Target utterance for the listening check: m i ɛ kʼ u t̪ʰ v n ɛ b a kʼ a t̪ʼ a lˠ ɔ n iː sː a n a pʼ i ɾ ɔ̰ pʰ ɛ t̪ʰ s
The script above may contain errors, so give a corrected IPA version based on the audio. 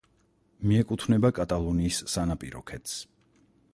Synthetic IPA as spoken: m i ɛ kʼ u t̪ʰ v n ɛ b a kʼ a t̪ʼ a lˠ ɔ n iː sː a n a pʼ i ɾ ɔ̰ kʰ ɛ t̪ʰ s